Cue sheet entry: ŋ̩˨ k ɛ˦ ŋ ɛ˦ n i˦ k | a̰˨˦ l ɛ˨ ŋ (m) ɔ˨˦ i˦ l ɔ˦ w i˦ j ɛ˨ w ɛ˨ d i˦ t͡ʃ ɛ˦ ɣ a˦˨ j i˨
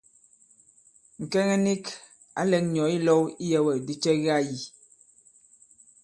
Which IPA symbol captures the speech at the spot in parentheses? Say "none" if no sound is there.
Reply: ɲ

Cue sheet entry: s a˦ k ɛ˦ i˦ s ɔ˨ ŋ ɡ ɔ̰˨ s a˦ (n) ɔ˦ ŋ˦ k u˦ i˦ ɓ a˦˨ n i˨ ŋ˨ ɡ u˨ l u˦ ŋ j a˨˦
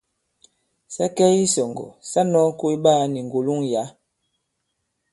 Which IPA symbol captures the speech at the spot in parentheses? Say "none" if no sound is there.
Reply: n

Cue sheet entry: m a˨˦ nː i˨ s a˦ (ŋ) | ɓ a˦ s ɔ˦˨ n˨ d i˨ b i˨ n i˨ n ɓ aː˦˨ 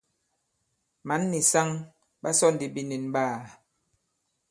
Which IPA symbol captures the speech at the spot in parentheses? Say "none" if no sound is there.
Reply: ŋ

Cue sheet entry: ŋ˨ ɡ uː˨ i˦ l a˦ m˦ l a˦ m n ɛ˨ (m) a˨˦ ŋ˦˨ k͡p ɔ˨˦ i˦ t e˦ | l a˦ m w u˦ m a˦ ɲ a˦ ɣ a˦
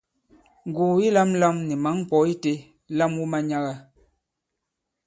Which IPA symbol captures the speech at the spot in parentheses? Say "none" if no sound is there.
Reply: m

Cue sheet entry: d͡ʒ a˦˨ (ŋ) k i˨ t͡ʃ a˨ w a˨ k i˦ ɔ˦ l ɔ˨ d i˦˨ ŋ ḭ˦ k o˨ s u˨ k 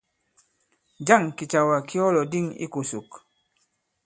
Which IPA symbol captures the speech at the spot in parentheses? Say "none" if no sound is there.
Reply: ŋ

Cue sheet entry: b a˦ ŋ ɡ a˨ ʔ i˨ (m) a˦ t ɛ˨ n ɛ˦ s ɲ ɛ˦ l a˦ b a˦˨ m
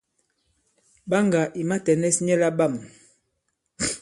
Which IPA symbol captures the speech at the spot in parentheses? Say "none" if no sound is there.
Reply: m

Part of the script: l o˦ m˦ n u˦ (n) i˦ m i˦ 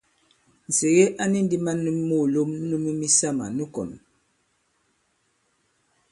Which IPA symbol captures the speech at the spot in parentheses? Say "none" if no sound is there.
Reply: m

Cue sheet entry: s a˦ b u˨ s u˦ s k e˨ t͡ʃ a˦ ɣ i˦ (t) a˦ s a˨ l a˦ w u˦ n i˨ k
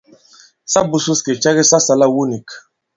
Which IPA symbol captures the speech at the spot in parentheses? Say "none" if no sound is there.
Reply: s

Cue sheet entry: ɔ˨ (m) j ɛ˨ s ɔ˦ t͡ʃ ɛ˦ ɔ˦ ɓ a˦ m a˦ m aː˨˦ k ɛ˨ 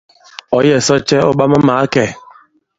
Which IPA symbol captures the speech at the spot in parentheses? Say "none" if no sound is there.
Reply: none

